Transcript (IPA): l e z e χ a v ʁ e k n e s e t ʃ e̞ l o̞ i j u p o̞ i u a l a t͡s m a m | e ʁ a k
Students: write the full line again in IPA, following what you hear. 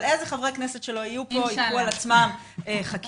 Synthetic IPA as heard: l e z e χ a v ʁ e k n e s e t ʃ e̞ l o̞ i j u p o̞ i u a l a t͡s m a m | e χ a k